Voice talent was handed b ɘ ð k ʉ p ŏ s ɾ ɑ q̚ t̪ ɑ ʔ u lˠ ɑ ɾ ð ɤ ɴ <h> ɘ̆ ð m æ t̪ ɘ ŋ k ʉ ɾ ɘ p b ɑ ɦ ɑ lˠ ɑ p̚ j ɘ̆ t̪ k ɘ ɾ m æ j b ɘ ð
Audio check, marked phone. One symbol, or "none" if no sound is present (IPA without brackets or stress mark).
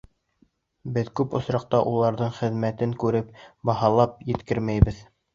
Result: χ